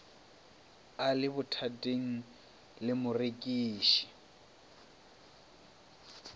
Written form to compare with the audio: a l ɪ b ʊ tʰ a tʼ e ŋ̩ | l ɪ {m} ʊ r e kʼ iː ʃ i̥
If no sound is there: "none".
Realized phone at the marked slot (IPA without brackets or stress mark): m